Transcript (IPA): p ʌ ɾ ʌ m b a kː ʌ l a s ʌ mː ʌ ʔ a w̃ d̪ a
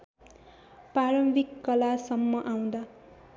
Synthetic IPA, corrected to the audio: p a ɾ ʌ m b i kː ʌ l a s ʌ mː ʌ ʔ a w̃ d̪ a